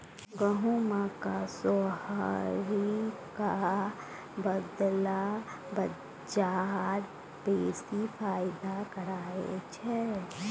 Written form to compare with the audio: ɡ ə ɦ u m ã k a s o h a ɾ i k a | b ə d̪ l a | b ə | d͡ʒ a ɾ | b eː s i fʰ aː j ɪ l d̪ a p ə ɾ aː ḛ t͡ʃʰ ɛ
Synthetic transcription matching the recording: ɡ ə ɦ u m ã k a s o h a ɾ i k a | b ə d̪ l a | b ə | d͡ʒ a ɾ | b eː s i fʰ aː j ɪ d̪ a k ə ɾ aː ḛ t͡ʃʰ ɛ